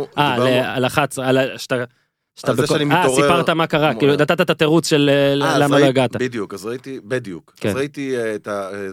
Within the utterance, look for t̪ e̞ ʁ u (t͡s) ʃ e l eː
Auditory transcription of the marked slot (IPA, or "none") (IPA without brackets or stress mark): t͡s